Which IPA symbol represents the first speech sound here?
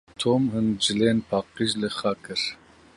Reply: t̪ʰ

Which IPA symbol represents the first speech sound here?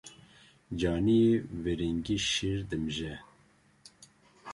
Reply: d͡ʒ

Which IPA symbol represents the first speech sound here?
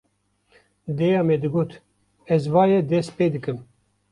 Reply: d̪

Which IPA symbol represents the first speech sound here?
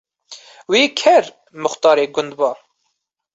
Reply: w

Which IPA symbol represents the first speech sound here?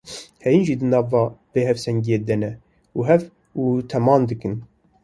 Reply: h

